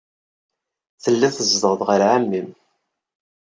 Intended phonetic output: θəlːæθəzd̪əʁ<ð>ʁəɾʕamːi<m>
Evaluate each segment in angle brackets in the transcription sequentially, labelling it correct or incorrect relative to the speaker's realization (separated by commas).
correct, correct